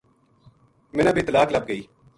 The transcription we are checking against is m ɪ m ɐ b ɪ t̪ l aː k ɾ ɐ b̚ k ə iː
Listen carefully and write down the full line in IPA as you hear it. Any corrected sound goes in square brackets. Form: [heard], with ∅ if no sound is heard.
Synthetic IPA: m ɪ [n] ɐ b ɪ t̪ l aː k [l] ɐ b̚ [ɡ] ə iː